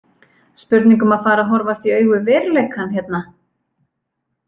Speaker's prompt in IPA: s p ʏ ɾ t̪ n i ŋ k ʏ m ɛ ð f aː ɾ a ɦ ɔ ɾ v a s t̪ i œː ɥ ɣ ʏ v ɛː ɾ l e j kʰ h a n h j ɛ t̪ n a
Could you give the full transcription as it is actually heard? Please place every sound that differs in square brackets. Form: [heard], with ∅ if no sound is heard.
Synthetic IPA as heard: s p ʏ ɾ t̪ n i ŋ k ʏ m [a] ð f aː ɾ a ɦ ɔ ɾ v a s t̪ i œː ɥ ɣ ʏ v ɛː ɾ l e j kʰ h a n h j ɛ t̪ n a